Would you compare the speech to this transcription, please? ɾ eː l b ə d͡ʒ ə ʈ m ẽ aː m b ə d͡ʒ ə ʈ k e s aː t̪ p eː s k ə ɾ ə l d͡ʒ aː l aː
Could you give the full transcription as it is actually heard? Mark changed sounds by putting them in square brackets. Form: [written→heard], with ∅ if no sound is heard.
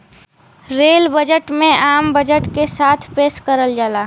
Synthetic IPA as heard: ɾ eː l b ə d͡ʒ ə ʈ m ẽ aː m b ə d͡ʒ ə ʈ k e s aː [t̪→t̪ʰ] p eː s k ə ɾ ə l d͡ʒ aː l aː

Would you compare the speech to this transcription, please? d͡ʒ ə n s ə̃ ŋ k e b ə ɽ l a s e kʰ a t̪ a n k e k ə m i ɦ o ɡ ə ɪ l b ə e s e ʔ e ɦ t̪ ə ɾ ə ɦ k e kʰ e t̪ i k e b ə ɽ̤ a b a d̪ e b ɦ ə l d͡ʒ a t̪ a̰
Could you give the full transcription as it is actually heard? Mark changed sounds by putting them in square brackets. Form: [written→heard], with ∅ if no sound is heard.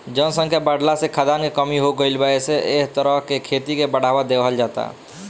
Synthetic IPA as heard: d͡ʒ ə n s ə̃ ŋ k e b ə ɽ l a s e kʰ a [t̪→d̪] a n k e k ə m i ɦ o ɡ ə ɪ l b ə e s e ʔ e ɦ t̪ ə ɾ ə ɦ k e kʰ e t̪ i k e b ə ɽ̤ a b a d̪ e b ɦ ə l d͡ʒ a t̪ a̰

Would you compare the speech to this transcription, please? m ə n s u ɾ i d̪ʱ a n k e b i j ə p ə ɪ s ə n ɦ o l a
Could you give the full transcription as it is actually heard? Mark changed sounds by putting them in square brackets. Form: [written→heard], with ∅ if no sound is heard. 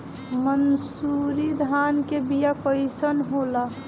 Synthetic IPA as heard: m ə n s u ɾ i d̪ʱ a n k e b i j [ə→a] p ə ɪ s ə n ɦ o l a

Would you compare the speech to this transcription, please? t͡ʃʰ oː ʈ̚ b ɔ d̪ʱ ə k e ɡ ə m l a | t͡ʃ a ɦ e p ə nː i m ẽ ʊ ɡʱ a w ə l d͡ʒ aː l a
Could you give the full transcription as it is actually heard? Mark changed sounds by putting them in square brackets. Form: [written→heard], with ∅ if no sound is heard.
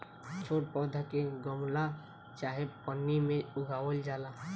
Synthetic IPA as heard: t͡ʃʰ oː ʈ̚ [b→p] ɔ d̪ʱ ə k e ɡ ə m l a | t͡ʃ a ɦ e p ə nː i m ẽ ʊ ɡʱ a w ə l d͡ʒ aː l a

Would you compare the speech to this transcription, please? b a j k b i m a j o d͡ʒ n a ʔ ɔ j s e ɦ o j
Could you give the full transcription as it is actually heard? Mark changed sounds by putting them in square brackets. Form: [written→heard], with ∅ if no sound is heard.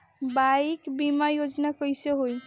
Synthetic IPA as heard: b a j k b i m a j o d͡ʒ n a [ʔ→k] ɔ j s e ɦ o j

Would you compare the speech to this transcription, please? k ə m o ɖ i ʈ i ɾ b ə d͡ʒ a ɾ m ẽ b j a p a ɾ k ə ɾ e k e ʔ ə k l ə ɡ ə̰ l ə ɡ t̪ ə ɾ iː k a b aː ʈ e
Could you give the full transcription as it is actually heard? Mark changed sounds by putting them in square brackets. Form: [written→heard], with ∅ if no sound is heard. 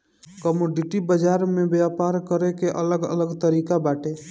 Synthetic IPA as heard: k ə m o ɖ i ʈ i [ɾ→∅] b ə d͡ʒ a ɾ m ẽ b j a p a ɾ k ə ɾ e k e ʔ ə [k→∅] l ə ɡ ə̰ l ə ɡ t̪ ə ɾ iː k a b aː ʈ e

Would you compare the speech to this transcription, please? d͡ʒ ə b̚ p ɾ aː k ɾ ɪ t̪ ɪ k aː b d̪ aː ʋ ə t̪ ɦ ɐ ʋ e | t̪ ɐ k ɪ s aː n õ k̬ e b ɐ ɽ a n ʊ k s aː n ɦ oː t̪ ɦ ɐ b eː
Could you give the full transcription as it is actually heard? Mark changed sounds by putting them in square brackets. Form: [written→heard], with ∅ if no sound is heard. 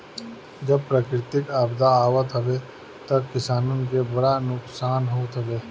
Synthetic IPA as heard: d͡ʒ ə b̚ p ɾ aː k ɾ ɪ t̪ ɪ k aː b d̪ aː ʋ ə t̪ ɦ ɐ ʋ e | t̪ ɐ k ɪ s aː n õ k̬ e b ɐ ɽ a n ʊ k s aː n ɦ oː t̪ ɦ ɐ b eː

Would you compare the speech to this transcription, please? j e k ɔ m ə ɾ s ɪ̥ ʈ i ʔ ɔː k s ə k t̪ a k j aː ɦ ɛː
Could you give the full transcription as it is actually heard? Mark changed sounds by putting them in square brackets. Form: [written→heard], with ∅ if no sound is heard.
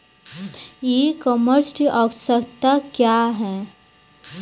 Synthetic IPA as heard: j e k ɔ m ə ɾ s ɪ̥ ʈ i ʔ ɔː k s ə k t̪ a k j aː ɦ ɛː

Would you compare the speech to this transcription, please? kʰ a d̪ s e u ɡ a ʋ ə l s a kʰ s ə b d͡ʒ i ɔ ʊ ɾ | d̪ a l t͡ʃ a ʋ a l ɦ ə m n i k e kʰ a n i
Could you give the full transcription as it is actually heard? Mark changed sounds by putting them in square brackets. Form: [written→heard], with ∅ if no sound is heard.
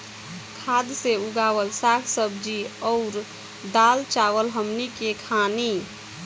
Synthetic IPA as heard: kʰ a d̪ s e u ɡ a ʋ ə l s a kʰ s ə b d͡ʒ i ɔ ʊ ɾ | d̪ a l t͡ʃ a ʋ [a→ə] l ɦ ə m n i k e kʰ a n i

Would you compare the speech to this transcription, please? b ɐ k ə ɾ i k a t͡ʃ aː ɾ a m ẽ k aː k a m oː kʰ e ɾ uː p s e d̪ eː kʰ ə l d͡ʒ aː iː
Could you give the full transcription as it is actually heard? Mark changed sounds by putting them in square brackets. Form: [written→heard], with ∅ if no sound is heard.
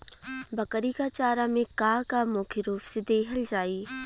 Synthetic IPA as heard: b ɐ k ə ɾ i k a t͡ʃ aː ɾ a m ẽ k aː k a m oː kʰ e ɾ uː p s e d̪ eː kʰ ə l d͡ʒ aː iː

